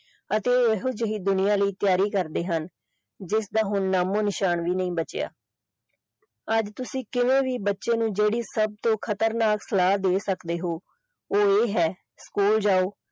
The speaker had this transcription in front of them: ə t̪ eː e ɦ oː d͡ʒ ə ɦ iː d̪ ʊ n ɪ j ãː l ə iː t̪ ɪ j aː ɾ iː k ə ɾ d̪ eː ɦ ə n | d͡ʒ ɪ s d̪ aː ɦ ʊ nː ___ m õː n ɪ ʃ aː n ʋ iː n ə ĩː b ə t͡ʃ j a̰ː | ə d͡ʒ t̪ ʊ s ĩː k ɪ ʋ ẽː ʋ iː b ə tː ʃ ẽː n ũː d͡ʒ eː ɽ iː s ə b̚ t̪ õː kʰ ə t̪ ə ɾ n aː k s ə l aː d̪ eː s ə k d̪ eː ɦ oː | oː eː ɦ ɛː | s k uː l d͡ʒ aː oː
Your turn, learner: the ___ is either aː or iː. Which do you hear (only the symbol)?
aː